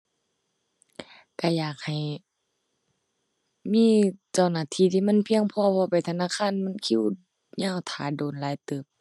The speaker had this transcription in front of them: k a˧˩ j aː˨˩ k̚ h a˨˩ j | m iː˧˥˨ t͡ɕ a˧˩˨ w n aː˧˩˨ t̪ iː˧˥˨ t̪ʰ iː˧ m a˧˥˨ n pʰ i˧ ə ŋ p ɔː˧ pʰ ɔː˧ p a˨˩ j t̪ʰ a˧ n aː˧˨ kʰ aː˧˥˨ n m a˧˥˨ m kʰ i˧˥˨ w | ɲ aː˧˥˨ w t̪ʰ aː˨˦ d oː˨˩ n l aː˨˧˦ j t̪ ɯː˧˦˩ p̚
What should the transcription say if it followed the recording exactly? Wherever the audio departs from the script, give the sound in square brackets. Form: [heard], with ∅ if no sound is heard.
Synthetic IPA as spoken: k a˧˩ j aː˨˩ k̚ h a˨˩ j | m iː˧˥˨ t͡ɕ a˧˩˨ w n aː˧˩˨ [t̪ʰ] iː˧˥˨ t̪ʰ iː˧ m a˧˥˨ n pʰ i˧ ə ŋ [pʰ] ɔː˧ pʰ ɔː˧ p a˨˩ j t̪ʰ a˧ n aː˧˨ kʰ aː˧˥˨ n m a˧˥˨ [n] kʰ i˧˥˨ w | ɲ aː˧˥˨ w t̪ʰ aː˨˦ d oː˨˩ n l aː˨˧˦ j t̪ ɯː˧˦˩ p̚